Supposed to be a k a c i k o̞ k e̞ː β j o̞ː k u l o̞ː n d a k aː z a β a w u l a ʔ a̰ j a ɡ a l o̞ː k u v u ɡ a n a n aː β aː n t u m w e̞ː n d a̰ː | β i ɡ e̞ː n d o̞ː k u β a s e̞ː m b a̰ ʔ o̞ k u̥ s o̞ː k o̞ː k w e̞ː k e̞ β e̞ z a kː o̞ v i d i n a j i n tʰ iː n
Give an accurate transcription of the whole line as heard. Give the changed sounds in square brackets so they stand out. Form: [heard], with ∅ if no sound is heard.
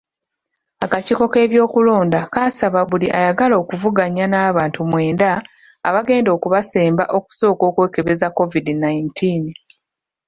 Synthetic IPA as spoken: a k a c i k o̞ k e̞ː β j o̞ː k u l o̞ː n d a k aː [s] a β a [β] u l [i] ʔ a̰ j a ɡ a l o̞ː k u v u ɡ a [ɲ] a n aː β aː n t u m w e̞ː n d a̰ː | β [a] ɡ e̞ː n d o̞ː k u β a s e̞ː m b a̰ ʔ o̞ k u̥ s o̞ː k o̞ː k w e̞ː k e̞ β e̞ z a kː o̞ v i d i n a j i n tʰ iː n